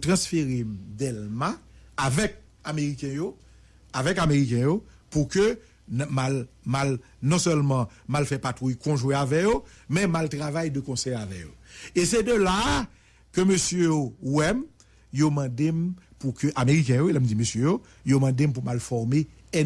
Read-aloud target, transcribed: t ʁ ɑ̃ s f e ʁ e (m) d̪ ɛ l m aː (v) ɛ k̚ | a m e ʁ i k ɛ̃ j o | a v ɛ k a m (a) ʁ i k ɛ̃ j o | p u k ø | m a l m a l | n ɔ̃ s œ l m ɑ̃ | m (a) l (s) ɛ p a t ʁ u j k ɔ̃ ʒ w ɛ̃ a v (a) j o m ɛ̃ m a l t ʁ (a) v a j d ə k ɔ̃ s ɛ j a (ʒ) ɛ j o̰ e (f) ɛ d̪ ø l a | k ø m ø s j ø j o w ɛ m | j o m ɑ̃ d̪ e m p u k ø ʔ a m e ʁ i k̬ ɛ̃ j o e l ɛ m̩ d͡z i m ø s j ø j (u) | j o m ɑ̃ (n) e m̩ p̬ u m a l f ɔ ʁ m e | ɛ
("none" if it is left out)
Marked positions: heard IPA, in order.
m, v, e, a, f, ɛ, a, v, s, o, d

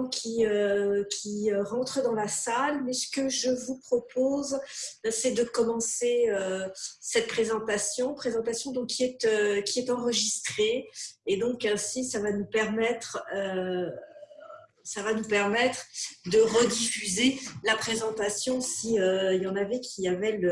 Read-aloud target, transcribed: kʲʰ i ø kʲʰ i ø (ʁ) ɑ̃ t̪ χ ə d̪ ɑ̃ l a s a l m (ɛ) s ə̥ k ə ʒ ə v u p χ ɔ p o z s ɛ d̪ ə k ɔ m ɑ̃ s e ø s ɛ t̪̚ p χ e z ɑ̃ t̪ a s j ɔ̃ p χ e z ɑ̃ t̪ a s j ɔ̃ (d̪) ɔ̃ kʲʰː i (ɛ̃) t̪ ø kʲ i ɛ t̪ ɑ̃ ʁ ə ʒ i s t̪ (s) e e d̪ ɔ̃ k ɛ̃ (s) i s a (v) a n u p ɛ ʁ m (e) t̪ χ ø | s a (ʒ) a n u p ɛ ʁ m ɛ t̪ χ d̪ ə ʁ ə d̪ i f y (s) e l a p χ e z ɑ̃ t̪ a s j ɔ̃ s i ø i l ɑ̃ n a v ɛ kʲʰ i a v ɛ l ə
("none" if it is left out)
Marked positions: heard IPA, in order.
ʁ, ɛ, d̪, ɛ, χ, s, v, ɛ, v, z

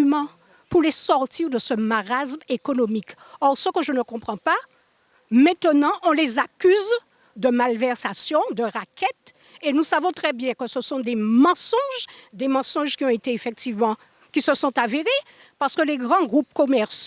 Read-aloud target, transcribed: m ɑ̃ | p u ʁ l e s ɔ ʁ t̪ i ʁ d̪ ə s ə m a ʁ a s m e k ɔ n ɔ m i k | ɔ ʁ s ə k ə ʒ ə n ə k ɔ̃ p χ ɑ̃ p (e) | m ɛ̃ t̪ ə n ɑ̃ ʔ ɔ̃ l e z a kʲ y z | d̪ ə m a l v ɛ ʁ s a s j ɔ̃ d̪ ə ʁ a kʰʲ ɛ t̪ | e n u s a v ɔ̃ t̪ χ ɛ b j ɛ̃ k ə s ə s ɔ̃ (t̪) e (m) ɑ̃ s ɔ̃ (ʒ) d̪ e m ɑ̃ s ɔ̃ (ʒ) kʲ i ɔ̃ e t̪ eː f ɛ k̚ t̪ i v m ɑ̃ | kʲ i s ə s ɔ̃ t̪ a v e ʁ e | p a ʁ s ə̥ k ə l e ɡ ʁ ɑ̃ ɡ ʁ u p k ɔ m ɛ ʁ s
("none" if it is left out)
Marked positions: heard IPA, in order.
a, d̪, m, ʒ, ʒ

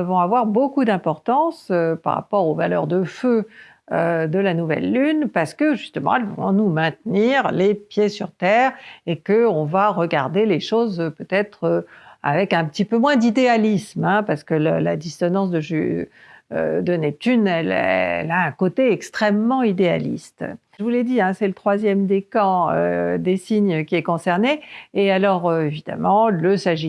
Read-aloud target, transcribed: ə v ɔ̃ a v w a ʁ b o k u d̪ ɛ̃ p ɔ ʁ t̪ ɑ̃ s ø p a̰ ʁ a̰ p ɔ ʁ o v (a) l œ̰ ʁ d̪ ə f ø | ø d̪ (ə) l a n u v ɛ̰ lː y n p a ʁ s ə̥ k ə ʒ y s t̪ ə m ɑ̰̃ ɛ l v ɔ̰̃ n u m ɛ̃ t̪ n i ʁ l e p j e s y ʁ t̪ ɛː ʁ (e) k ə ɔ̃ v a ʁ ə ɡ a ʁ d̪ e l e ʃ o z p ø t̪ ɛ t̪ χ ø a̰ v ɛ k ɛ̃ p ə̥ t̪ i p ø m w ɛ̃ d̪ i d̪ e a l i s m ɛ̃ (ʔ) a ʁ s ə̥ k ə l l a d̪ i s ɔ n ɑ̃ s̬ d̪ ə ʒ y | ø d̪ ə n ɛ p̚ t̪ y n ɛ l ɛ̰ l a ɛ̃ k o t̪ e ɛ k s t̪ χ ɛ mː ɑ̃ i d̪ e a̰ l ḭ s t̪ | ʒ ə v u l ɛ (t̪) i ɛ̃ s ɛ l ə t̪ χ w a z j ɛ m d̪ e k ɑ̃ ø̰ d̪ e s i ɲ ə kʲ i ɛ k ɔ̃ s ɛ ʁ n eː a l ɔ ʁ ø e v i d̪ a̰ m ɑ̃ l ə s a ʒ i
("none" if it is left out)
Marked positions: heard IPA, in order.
a, ə, e, p, d̪

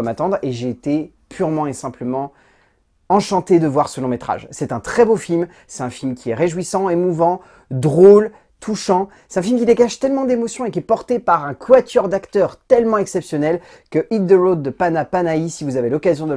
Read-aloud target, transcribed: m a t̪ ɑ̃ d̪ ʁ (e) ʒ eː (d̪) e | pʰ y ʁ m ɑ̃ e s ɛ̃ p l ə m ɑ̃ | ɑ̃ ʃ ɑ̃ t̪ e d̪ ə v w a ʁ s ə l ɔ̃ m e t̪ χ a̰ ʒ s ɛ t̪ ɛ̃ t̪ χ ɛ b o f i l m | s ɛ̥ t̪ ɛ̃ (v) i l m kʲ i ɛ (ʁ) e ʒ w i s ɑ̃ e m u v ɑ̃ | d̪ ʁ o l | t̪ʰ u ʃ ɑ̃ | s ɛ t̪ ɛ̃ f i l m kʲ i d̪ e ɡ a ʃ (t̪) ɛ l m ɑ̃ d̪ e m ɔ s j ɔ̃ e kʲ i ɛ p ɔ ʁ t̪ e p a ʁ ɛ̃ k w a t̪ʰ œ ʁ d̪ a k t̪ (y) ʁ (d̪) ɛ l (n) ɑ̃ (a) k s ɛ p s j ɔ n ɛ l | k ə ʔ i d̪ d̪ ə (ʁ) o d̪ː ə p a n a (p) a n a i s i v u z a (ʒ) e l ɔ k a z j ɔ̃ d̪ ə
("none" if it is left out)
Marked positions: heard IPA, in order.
e, t̪, f, ʁ, t̪, œ, t̪, m, ɛ, ʁ, p, v

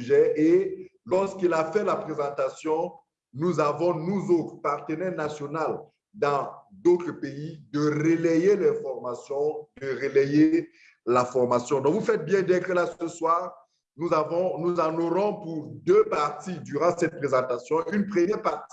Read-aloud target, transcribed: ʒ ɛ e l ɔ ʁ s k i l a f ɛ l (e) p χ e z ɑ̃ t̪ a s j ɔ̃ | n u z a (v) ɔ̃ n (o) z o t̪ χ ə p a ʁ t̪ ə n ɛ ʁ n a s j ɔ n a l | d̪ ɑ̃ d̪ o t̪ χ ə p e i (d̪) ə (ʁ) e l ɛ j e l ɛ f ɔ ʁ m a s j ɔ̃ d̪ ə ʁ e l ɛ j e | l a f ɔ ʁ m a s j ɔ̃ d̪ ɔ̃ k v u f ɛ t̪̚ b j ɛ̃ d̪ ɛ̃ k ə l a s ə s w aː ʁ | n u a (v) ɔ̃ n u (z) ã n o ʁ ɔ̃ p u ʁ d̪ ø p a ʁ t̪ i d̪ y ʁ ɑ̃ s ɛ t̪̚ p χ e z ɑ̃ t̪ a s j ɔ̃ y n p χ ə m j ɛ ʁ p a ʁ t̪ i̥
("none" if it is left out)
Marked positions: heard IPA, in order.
a, v, u, d̪, ʁ, v, z

